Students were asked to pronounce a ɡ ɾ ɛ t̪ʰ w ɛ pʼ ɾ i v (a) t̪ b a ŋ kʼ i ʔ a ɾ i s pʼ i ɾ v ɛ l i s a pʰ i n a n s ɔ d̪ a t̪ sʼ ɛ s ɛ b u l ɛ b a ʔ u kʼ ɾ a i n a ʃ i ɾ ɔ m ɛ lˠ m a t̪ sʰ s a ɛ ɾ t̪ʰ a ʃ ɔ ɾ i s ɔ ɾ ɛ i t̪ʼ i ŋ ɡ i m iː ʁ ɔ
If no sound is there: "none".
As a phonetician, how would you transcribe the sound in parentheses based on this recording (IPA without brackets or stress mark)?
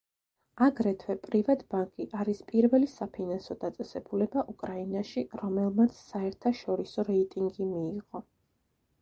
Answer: a